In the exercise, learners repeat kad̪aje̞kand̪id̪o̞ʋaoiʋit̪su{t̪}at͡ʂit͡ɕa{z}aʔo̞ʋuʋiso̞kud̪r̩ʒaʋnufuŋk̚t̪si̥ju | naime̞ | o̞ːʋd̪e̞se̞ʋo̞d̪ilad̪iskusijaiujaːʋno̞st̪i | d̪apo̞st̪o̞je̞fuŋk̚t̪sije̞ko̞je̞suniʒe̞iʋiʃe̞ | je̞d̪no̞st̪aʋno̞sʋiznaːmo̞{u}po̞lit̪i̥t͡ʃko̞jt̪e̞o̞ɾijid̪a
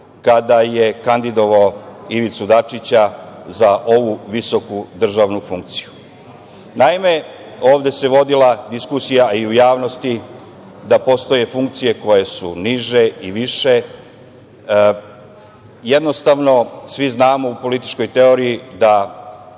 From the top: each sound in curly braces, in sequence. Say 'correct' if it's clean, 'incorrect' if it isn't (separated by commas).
incorrect, correct, correct